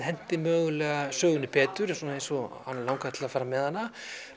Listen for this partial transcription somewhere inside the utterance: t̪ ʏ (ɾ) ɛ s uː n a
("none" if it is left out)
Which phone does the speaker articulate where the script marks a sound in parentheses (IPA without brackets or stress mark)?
ɾ